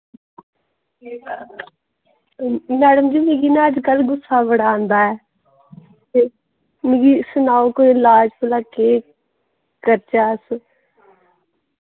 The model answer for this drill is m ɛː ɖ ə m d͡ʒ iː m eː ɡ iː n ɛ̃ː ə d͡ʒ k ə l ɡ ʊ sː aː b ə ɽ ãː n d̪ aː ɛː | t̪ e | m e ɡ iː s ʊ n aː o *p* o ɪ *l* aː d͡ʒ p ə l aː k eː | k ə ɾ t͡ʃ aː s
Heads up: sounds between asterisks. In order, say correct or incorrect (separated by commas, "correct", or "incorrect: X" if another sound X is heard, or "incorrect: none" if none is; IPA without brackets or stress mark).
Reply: incorrect: k, correct